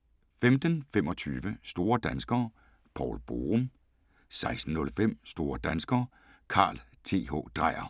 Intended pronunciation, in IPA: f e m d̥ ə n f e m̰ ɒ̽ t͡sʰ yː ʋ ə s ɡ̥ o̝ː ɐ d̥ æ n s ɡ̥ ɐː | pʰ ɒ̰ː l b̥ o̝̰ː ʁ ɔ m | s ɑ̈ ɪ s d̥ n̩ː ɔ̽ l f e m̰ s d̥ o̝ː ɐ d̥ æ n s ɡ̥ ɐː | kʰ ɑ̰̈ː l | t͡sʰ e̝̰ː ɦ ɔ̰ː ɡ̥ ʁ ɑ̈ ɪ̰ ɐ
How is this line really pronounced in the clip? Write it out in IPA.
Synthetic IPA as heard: f e m d̥ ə n f e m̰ ɒ̽ t͡sʰ yː ʋ ə s d̥ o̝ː ɐ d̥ æ n s ɡ̥ ɐː | pʰ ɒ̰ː l b̥ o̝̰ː ʁ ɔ m | s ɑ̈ ɪ s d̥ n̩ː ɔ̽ l f e m̰ s d̥ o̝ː ɐ d̥ æ n s ɡ̥ ɐː | kʰ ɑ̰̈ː l | t͡sʰ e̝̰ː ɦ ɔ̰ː d̥ ʁ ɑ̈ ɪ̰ ɐ